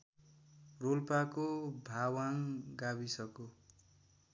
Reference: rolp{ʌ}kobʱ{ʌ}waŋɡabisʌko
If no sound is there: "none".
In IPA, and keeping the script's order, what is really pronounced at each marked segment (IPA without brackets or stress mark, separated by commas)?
a, a